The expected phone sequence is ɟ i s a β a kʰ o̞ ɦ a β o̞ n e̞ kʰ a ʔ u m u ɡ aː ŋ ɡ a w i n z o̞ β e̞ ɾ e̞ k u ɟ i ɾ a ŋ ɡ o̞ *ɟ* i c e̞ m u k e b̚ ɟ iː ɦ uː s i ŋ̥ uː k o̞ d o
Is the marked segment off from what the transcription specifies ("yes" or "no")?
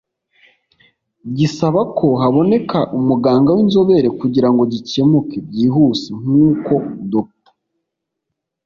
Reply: no